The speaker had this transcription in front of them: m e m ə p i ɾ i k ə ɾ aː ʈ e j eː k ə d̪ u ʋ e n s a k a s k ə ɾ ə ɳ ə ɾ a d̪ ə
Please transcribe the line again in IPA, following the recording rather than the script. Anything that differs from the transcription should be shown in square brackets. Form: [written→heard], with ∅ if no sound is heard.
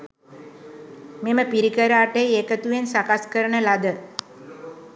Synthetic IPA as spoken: m e m ə p i ɾ i k ə ɾ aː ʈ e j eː k ə [d̪→t̪] u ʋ e n s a k a s k ə ɾ ə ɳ ə [ɾ→l] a d̪ ə